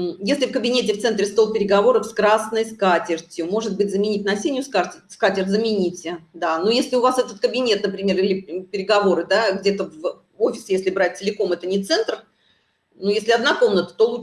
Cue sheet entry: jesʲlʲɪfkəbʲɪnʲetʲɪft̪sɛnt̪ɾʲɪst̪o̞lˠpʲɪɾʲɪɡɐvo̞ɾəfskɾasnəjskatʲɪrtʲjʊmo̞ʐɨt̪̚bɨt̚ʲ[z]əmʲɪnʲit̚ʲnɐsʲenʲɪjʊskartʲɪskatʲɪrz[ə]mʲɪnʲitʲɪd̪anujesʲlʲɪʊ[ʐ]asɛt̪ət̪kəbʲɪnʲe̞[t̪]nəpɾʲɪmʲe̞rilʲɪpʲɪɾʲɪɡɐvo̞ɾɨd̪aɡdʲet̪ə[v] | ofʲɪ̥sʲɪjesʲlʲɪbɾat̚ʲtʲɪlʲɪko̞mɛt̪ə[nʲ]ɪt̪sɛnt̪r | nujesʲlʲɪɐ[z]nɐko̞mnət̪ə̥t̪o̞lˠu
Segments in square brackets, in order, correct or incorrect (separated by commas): correct, correct, incorrect, correct, correct, correct, correct